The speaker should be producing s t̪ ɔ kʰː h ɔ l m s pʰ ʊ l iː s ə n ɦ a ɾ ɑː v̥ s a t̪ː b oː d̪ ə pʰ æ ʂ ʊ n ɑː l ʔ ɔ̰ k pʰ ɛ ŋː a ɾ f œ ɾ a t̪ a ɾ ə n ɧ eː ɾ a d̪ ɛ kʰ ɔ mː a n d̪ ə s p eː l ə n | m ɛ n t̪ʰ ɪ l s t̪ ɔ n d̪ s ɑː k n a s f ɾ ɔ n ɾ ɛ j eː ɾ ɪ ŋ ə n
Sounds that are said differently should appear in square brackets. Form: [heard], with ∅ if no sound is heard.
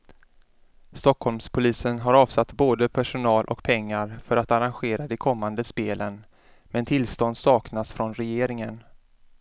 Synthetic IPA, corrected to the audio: s t̪ ɔ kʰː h ɔ l m s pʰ ʊ l iː s ə n ɦ a ɾ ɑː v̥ s a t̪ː b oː d̪ ə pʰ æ ʂ ʊ n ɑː l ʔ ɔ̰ k pʰ ɛ ŋː a ɾ f œ ɾ a t̪ a ɾ [a] n ɧ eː ɾ a d̪ ɛ kʰ ɔ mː a n d̪ ə s p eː l ə n | m ɛ n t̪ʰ ɪ l s t̪ ɔ n d̪ s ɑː k n a s f ɾ ɔ n ɾ ɛ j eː ɾ ɪ ŋ ə n